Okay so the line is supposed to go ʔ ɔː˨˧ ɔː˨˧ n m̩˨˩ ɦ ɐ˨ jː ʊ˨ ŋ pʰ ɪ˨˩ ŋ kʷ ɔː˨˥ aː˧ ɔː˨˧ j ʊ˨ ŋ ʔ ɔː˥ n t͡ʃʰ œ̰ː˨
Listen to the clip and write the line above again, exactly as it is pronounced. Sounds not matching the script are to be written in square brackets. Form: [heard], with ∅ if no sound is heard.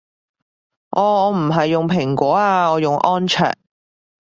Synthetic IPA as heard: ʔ ɔː˨˧ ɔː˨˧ [∅] m̩˨˩ ɦ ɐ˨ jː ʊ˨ ŋ pʰ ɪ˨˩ ŋ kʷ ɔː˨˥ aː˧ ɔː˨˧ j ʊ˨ ŋ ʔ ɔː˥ n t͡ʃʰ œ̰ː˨